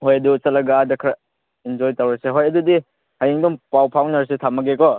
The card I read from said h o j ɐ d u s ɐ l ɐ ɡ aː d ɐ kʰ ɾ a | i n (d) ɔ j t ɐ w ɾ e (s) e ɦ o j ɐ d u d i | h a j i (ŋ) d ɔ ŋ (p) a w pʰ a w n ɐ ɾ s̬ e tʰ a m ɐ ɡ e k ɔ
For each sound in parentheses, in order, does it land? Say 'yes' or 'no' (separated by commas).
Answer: no, yes, yes, yes